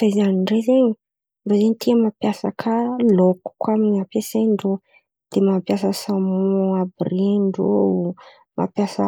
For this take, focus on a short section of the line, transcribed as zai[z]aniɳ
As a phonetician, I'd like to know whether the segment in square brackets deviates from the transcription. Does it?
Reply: no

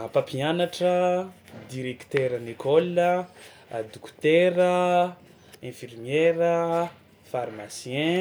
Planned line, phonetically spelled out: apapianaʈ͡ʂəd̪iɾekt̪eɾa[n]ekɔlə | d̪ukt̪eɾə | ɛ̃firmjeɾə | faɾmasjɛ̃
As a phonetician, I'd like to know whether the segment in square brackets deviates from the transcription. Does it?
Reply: no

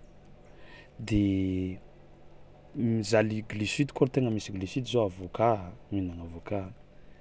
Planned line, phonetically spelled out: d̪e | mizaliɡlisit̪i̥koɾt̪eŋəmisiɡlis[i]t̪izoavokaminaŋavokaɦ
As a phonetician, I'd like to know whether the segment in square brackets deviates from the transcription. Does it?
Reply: no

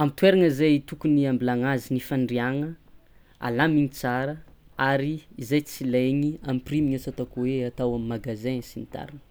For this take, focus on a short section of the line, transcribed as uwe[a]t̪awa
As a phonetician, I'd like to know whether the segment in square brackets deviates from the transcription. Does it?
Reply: no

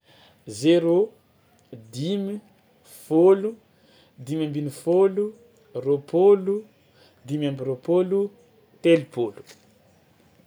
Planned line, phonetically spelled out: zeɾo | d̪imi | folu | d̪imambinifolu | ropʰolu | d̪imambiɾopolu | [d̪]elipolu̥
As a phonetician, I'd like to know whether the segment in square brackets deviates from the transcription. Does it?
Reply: yes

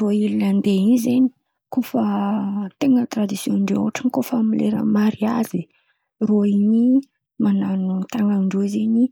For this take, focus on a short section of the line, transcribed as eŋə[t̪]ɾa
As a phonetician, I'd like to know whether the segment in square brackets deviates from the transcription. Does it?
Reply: no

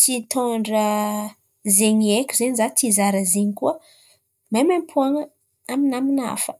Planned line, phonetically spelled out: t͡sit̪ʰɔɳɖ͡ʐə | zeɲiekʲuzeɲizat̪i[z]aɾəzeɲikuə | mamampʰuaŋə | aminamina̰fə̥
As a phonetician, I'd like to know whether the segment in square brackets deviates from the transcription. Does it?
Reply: no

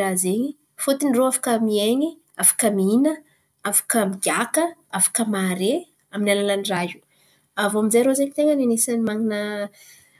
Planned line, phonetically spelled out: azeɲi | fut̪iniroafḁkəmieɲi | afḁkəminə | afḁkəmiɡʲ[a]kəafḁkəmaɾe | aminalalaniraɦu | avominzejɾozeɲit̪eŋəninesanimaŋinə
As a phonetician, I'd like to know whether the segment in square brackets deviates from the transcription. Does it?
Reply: no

